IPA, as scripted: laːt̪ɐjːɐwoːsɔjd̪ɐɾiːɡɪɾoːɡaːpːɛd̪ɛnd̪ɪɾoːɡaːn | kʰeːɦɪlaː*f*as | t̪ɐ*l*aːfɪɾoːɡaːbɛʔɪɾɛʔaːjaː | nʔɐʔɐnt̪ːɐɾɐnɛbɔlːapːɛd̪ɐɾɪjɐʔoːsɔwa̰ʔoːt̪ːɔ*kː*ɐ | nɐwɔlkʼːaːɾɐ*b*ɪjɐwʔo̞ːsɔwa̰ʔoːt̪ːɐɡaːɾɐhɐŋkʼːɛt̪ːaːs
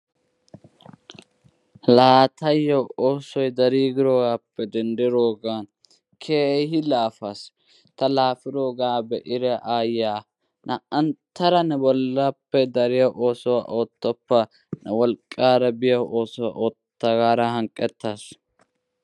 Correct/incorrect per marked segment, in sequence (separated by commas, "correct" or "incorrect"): correct, correct, incorrect, correct